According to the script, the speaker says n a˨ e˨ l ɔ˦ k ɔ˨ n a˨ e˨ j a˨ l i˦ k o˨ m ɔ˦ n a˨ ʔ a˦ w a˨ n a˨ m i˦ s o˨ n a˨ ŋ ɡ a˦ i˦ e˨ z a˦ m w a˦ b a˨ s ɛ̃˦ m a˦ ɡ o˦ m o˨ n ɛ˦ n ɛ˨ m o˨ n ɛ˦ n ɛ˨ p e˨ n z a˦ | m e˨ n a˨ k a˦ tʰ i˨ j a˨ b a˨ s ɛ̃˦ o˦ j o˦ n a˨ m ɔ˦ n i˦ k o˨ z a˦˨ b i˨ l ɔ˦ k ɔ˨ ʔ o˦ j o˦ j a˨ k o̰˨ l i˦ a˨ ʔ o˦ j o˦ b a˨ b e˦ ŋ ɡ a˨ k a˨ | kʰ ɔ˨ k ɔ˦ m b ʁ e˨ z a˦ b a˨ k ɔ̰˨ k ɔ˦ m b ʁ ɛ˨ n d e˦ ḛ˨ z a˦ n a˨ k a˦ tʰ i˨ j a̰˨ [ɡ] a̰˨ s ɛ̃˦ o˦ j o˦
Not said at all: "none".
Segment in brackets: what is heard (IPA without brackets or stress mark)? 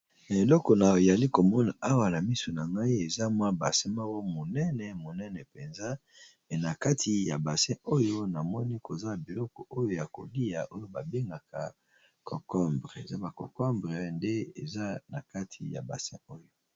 b